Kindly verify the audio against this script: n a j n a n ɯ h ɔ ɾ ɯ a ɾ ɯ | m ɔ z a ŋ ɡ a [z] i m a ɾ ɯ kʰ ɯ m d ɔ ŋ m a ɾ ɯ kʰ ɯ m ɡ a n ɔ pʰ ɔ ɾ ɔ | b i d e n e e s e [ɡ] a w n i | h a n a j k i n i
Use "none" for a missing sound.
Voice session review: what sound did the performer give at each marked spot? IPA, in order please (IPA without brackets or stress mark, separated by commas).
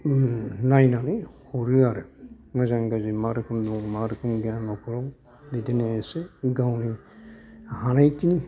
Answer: z, ɡ